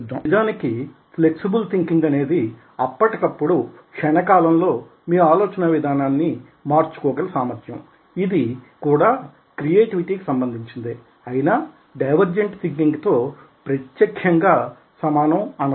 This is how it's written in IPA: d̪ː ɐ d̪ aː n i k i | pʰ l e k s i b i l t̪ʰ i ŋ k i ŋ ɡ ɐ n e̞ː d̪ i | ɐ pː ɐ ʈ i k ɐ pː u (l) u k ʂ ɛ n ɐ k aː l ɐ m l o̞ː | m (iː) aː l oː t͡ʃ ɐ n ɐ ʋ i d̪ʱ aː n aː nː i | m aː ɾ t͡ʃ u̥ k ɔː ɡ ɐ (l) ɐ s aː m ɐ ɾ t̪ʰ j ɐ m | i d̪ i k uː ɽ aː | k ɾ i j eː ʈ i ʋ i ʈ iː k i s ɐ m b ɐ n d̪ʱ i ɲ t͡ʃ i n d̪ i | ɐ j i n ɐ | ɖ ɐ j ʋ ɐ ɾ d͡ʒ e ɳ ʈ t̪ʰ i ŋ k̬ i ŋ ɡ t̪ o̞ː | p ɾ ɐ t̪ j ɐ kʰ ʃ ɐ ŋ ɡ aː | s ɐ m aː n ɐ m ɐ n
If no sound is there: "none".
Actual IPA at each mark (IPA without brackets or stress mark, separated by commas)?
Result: ɽ, iː, l